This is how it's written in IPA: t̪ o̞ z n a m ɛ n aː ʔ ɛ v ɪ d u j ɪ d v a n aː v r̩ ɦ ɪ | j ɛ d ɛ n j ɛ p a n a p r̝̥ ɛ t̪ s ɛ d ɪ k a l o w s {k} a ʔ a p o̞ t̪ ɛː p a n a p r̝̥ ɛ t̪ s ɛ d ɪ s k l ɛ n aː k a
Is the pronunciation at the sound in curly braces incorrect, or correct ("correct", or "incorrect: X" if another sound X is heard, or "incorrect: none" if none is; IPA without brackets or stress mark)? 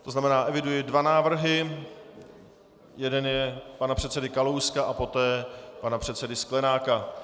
correct